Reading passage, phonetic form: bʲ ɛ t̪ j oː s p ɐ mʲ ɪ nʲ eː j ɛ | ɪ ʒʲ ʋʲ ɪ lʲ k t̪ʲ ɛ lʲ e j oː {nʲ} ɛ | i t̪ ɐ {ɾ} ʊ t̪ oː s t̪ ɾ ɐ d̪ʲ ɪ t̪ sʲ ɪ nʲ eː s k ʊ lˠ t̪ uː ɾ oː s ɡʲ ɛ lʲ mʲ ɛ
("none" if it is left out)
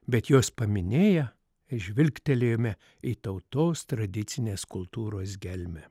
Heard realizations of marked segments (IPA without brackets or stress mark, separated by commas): mʲ, none